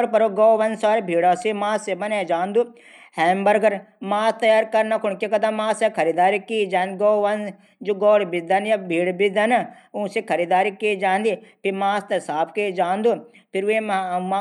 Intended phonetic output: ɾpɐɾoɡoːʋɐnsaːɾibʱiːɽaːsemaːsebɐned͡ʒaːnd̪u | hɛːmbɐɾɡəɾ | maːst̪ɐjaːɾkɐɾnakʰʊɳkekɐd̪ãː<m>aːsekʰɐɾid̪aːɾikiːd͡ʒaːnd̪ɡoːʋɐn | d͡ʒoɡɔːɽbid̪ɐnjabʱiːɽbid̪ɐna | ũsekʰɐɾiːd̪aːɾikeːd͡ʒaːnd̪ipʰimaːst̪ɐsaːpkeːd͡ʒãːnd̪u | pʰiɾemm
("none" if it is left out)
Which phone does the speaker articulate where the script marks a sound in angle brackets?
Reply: m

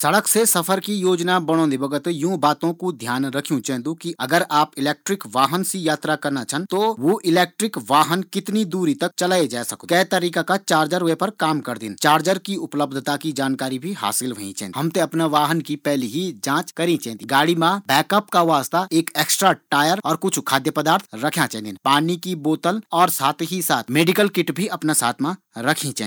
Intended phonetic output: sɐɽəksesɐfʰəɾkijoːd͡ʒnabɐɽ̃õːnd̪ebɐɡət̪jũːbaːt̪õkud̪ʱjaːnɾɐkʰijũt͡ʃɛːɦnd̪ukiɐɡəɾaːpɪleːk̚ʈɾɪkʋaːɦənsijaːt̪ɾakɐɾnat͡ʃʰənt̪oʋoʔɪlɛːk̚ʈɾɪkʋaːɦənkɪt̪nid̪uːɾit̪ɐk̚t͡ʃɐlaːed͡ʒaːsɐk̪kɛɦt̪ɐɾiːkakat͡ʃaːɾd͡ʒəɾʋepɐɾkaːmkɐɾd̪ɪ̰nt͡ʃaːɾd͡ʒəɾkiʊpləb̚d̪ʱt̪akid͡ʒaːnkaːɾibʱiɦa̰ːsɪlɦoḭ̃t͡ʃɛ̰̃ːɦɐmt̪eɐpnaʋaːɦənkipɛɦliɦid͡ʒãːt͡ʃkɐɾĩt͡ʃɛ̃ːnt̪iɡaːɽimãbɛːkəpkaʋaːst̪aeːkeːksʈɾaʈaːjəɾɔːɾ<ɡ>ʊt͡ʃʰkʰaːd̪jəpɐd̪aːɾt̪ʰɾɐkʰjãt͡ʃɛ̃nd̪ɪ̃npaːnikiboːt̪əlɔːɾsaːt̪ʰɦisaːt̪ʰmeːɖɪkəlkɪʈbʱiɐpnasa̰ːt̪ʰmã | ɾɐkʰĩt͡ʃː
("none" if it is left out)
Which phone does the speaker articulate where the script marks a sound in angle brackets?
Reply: k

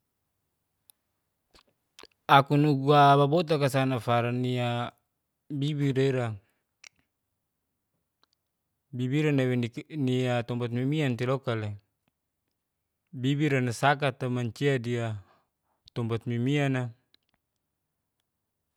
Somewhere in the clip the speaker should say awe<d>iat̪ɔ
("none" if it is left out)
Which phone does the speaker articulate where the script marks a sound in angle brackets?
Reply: n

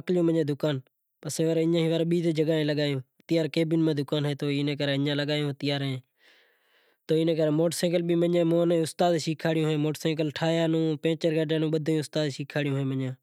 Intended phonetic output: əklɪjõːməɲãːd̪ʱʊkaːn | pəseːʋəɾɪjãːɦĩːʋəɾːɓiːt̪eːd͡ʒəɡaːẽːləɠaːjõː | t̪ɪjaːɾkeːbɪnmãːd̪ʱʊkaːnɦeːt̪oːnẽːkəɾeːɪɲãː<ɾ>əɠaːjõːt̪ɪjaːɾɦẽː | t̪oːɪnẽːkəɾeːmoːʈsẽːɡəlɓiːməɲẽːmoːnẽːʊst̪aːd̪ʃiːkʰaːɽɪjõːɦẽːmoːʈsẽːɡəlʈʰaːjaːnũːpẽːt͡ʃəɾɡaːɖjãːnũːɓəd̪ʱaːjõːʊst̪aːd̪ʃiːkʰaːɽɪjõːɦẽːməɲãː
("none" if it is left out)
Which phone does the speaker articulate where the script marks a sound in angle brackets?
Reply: l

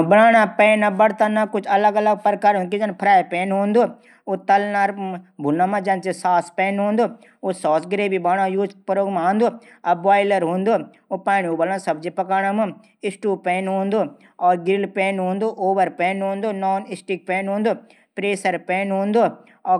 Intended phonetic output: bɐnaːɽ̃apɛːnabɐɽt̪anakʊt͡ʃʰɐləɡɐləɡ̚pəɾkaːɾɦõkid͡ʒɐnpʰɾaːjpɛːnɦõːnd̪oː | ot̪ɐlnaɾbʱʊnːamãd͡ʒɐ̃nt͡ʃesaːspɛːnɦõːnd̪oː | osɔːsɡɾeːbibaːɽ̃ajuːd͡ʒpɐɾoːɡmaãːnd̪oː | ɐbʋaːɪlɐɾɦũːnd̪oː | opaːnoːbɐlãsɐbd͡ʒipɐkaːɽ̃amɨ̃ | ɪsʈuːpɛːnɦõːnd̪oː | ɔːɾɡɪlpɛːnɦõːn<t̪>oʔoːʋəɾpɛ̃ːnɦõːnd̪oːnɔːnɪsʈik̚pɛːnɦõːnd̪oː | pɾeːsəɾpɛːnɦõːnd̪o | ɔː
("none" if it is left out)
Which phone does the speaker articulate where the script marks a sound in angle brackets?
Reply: d̪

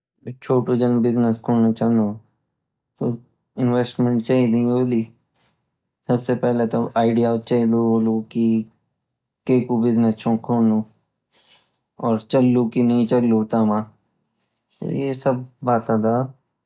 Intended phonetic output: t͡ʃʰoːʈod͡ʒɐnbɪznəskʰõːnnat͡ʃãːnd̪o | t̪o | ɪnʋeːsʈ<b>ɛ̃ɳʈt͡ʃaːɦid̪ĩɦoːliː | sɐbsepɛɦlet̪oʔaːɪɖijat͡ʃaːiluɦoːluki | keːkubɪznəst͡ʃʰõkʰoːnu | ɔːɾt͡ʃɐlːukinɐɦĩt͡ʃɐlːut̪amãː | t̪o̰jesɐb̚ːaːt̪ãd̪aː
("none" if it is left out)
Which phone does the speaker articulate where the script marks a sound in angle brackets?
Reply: m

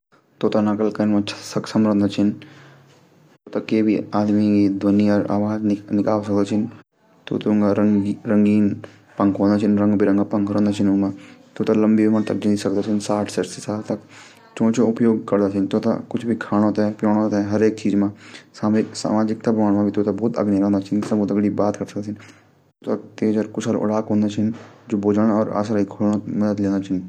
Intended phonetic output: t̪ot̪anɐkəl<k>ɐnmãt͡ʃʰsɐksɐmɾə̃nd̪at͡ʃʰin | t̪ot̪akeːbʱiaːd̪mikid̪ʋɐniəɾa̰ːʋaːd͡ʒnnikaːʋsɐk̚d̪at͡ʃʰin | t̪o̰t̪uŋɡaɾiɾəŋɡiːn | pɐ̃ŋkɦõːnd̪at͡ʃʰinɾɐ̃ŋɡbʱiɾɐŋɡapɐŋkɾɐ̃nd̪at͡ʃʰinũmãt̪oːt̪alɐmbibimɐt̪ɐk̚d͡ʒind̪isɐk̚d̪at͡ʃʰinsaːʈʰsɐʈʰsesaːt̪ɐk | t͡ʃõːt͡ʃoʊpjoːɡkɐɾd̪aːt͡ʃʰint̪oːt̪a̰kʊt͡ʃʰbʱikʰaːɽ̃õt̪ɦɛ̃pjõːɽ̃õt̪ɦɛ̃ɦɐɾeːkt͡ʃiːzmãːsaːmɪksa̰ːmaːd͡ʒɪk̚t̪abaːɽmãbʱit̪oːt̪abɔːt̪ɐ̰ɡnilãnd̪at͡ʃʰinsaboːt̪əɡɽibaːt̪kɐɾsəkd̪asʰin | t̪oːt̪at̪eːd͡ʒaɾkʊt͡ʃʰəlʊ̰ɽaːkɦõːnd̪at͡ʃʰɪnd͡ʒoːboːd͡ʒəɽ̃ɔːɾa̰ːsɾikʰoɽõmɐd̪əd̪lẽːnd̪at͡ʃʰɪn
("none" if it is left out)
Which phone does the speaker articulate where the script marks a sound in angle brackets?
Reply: k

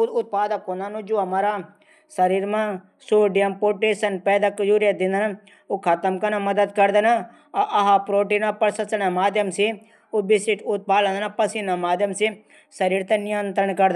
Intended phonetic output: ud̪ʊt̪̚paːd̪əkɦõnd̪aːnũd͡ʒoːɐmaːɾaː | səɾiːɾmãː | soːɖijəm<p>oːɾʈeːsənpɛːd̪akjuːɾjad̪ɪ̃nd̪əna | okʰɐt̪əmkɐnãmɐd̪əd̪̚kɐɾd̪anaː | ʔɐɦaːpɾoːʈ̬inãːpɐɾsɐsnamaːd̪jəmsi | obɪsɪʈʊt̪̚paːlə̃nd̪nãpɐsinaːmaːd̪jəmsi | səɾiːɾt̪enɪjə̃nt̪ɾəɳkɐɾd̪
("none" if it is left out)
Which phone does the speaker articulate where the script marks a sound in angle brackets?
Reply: p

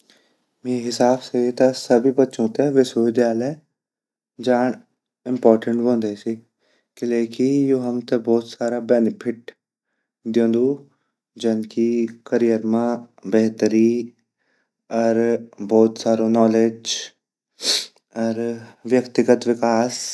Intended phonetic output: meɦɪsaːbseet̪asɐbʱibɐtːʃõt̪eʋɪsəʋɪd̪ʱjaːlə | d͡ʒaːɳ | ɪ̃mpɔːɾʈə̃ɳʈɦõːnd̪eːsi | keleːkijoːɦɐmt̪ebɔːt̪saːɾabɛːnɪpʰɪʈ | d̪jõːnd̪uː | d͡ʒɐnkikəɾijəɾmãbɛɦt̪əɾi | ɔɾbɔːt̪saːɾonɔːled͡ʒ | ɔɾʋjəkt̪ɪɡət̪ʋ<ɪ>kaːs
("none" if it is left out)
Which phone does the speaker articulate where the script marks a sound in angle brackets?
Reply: ɪ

